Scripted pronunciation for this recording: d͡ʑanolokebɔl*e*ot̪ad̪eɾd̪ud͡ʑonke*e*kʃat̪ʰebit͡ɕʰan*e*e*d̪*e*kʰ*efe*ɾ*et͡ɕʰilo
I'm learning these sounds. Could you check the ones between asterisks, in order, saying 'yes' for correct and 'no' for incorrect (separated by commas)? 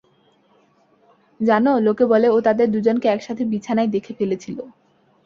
yes, no, no, yes, yes, no